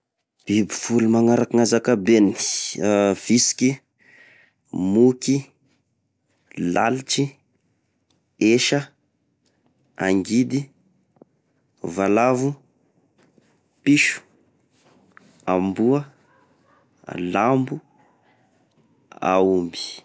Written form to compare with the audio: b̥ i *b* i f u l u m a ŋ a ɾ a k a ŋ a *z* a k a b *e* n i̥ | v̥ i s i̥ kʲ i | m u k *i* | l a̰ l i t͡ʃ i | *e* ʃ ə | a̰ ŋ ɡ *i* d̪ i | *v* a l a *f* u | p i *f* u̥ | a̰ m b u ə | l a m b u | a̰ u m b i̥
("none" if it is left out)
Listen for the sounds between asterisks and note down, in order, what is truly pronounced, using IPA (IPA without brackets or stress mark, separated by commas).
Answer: b, z, e, i, e, i, v, v, ʃ